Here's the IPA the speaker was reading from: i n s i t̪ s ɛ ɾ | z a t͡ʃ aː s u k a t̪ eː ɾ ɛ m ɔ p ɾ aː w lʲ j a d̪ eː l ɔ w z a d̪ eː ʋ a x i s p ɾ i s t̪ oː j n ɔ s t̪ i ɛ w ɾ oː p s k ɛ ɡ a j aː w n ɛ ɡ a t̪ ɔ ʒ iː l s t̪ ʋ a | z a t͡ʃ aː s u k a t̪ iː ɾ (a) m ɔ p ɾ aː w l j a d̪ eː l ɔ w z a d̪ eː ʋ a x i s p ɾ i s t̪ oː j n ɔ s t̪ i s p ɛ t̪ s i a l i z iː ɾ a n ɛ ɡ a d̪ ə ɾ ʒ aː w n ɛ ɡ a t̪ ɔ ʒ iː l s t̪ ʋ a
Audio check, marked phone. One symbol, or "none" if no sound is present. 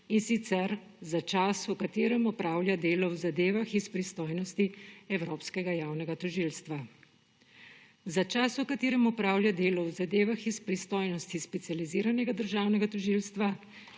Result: ɛ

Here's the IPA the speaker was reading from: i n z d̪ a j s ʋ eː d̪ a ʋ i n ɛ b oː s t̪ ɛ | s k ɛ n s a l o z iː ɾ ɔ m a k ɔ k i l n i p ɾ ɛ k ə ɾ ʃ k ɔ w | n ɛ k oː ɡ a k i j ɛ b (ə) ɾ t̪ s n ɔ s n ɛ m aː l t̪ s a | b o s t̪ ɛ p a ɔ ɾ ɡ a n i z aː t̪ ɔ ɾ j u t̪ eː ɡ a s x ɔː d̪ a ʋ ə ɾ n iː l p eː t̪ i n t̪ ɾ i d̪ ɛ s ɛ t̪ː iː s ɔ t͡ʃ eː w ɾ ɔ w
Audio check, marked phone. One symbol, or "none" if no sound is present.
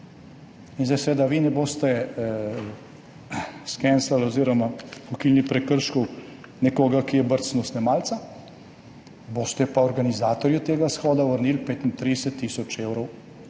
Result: ə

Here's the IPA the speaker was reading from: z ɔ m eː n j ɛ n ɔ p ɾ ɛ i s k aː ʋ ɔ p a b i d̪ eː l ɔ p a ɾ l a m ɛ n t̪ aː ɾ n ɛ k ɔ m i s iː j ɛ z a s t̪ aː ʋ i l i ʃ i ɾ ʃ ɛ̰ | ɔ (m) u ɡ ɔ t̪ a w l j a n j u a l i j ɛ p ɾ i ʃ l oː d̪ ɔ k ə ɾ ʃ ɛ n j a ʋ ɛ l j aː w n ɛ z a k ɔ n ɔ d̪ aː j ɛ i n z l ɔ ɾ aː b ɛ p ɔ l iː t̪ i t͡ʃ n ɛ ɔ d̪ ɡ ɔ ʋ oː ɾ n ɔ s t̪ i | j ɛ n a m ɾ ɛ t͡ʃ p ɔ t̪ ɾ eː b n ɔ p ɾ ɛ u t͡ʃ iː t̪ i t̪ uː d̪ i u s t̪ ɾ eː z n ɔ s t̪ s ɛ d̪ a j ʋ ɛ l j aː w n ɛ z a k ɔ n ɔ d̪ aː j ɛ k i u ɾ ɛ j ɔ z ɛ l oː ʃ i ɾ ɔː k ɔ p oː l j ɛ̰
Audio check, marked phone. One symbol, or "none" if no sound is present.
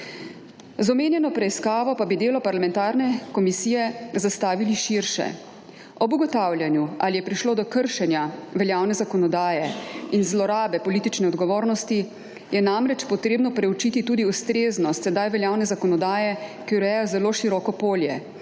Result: b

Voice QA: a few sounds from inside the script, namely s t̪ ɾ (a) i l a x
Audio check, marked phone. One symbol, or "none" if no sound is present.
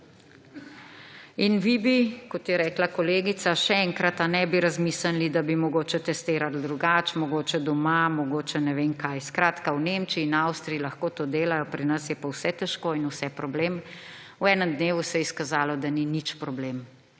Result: i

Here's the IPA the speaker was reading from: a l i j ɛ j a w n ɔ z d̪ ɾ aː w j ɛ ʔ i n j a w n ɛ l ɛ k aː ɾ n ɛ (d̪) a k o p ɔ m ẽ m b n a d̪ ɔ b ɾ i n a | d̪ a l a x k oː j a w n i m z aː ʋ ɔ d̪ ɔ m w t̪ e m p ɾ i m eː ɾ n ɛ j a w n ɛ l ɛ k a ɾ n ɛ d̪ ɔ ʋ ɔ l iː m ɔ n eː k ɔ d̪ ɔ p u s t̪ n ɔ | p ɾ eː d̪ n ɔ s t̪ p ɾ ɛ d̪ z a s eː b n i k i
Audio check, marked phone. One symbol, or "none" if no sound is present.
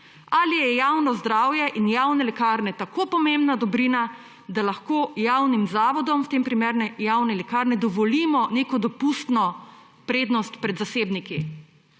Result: t̪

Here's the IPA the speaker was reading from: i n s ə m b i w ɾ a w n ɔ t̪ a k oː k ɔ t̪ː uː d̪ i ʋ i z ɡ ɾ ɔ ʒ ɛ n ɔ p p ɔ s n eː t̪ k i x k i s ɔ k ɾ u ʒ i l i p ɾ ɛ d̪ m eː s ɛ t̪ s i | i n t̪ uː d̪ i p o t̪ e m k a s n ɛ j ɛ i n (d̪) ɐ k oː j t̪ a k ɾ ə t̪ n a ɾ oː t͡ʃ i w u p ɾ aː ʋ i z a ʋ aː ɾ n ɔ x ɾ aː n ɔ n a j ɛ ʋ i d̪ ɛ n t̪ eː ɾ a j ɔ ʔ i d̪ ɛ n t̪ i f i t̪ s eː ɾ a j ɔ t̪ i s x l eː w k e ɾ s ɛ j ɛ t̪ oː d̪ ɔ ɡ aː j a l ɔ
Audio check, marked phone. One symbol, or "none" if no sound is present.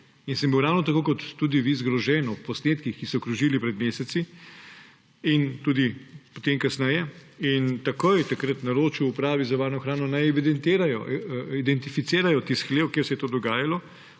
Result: t̪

